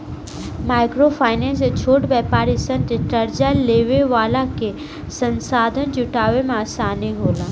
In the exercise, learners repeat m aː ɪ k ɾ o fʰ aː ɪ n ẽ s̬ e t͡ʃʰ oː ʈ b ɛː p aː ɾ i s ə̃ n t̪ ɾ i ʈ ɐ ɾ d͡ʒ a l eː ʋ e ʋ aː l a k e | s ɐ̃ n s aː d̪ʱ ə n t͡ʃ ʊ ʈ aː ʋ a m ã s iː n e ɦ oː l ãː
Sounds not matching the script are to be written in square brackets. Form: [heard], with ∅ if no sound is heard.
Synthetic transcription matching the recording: m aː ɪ k ɾ o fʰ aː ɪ n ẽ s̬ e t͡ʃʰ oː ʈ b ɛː p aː ɾ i s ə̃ n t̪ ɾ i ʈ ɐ ɾ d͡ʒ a l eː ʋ e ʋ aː l a k e | s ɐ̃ n s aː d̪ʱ ə n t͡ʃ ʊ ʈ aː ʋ [e] m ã s [aː] n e ɦ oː l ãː